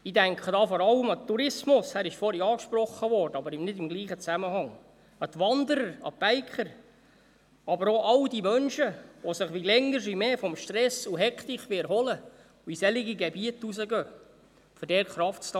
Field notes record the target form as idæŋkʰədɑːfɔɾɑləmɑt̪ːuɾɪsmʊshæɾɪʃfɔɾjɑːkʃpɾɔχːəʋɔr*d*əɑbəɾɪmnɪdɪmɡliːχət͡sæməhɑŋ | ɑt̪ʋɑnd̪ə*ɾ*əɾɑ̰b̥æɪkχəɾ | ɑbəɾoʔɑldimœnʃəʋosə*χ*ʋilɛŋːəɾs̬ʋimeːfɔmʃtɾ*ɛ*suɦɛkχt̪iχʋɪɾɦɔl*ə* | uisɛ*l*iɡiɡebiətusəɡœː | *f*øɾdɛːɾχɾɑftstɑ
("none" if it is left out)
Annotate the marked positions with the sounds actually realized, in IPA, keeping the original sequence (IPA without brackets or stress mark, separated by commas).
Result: d, ɾ, χ, ɛ, ə, l, f